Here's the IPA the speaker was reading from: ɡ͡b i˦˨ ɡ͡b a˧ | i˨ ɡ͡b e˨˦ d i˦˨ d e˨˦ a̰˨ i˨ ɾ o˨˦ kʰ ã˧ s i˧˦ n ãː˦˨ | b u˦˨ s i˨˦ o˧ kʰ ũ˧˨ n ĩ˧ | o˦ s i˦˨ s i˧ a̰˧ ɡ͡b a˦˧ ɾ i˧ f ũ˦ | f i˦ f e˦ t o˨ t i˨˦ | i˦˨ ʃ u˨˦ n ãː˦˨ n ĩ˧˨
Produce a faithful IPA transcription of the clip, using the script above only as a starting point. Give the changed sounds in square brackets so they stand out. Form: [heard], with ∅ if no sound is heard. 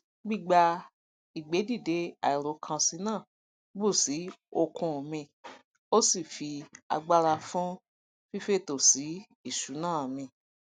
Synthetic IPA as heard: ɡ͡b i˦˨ ɡ͡b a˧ | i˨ ɡ͡b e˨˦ d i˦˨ d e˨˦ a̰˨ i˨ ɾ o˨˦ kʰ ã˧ s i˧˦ n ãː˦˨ | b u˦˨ s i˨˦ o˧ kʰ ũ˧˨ [m] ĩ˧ | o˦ s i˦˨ [f] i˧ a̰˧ ɡ͡b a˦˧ ɾ [a˧] f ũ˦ | f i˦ f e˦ t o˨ [s] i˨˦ | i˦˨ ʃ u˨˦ n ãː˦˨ [m] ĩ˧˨